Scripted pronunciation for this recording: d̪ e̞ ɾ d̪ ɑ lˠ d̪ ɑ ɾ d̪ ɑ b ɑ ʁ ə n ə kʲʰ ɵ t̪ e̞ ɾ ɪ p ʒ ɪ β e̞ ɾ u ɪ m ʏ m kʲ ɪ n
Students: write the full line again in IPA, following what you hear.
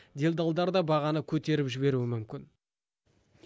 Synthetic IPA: d̪ e̞ l d̪ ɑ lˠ d̪ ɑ ɾ d̪ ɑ b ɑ ʁ ɑ n ə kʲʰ ɵ t̪ e̞ ɾ ɪ p ʒ ɪ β e̞ ɾ u ɪ m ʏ m kʲ ɪ n